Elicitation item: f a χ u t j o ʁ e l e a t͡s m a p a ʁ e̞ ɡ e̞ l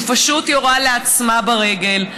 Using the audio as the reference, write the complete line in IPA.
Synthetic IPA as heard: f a ʃ u t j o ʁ a l e a t͡s m a b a ʁ e̞ ɡ e̞ l